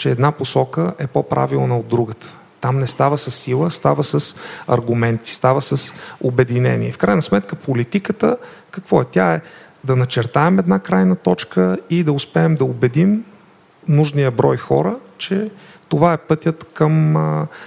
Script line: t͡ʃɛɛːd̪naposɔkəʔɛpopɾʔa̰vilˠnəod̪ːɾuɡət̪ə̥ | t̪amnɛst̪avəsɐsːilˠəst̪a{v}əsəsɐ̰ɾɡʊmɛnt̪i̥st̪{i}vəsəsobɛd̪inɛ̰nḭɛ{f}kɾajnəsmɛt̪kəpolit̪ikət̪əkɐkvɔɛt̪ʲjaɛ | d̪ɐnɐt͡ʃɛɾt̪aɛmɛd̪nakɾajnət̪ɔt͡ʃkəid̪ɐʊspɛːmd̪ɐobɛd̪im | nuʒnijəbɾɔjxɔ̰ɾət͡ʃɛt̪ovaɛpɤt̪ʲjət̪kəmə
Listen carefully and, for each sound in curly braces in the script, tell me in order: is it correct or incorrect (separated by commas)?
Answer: correct, incorrect, correct